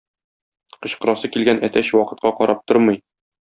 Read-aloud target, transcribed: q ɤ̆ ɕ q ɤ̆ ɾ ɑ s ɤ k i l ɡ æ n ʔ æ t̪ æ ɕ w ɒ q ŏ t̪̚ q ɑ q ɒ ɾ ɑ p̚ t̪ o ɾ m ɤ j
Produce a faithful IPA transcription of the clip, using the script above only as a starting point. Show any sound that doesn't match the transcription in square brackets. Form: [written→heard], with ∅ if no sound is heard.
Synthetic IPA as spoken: q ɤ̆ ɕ q ɤ̆ ɾ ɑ s ɤ k i l ɡ æ n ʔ æ t̪ æ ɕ w ɒ q [ŏ→ɤ̆] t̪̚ q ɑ q ɒ ɾ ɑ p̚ t̪ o ɾ m ɤ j